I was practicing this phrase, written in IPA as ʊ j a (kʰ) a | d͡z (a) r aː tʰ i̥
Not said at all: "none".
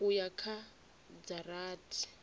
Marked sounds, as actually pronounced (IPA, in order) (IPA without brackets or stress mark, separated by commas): kʰ, a